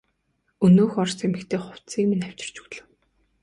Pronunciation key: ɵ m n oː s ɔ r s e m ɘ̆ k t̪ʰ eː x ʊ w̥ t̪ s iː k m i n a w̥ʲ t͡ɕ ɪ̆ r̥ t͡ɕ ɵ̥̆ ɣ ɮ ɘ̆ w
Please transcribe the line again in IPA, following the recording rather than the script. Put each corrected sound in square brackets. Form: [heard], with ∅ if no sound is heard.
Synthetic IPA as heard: ɵ [∅] n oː [x] ɔ r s e m ɘ̆ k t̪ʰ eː [χ] ʊ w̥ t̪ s iː k m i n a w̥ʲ t͡ɕ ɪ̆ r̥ t͡ɕ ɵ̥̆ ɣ ɮ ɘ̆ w